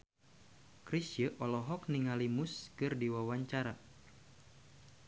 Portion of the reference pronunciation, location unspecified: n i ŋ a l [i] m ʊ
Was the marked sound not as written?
no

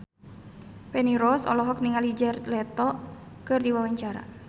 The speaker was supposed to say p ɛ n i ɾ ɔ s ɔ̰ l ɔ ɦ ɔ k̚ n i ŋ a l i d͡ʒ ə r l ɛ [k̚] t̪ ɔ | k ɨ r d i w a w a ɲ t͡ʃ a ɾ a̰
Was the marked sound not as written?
yes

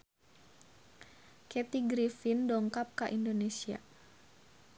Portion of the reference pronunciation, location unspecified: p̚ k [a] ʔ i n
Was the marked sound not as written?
no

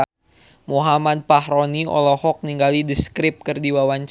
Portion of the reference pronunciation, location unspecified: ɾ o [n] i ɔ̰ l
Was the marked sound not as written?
no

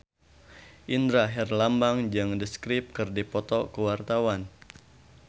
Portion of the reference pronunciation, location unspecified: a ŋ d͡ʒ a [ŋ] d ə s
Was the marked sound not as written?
no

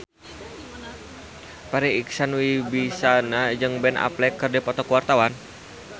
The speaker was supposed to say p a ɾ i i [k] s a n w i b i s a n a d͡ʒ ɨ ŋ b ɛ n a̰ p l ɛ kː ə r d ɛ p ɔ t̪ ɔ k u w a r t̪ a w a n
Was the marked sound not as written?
no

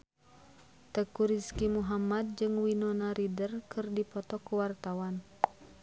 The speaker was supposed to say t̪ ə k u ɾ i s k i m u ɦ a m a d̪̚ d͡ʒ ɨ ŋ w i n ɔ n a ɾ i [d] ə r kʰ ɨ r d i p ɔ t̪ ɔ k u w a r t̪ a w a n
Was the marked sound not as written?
no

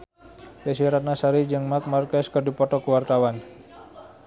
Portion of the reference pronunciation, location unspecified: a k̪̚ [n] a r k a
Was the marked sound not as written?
yes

